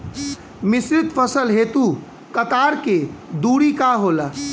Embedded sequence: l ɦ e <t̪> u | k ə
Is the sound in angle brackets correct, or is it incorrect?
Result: correct